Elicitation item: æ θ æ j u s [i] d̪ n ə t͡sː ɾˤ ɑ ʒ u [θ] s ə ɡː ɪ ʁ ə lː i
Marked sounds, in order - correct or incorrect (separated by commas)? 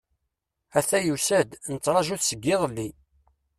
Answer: incorrect, correct